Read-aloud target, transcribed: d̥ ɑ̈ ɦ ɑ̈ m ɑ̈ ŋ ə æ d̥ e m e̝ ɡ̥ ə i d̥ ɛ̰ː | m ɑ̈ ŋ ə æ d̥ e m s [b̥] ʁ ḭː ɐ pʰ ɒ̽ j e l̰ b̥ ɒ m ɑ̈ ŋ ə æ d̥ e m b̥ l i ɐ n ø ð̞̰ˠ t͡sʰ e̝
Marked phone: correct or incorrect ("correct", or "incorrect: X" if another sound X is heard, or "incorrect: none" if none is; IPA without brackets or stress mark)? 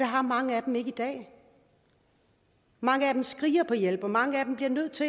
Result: incorrect: ɡ̥